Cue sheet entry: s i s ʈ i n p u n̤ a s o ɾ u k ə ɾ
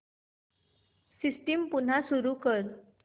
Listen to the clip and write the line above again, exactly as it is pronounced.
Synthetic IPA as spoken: s i s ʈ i m p u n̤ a s u ɾ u k ə ɾ